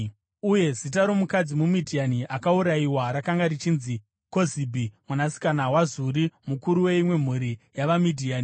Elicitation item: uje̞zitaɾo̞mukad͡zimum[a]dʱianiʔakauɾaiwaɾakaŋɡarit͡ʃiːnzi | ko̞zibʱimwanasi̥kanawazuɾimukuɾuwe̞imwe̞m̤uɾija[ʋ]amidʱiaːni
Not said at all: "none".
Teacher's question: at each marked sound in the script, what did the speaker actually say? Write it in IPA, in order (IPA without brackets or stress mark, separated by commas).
i, ʋ